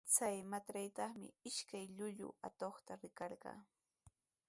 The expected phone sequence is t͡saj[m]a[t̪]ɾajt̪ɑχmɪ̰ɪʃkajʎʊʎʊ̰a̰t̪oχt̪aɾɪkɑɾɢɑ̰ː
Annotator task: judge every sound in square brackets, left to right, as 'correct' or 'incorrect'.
correct, correct

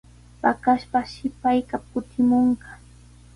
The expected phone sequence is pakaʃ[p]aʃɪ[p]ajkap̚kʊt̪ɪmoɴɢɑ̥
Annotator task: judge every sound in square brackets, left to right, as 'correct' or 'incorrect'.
correct, correct

